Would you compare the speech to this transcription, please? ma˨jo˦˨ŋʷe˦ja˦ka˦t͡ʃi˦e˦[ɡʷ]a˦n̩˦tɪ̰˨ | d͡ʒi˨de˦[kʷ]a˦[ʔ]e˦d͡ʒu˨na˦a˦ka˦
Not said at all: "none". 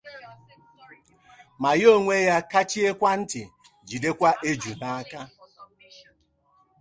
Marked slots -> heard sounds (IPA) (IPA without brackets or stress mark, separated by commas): kʷ, kʷ, ʔ